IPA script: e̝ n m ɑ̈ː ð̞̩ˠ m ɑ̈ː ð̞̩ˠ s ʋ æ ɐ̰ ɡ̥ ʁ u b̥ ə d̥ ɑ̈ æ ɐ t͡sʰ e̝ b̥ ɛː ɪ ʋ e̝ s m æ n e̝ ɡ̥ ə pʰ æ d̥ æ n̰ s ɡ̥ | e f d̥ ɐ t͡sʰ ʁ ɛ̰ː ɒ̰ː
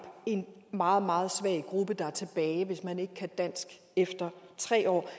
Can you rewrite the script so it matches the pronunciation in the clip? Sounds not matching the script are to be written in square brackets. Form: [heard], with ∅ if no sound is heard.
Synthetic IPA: e̝ n m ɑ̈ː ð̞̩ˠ m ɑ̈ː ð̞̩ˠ s ʋ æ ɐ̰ ɡ̥ ʁ u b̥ ə d̥ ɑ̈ æ ɐ t͡sʰ e̝ b̥ ɛː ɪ ʋ e̝ s m æ n e̝ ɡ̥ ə [kʰ] æ d̥ æ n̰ s ɡ̥ | e f d̥ ɐ t͡sʰ ʁ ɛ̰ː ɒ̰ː